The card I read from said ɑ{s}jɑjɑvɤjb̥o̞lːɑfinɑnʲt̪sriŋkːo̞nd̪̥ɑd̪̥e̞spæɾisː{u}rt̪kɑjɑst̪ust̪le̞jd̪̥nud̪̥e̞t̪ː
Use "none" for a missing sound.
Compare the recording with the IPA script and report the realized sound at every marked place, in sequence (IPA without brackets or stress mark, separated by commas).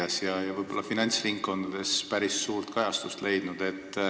s, uː